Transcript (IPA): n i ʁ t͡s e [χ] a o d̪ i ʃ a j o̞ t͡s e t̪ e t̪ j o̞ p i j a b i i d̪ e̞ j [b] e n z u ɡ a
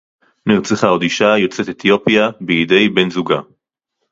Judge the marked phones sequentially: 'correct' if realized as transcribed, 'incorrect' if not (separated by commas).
correct, correct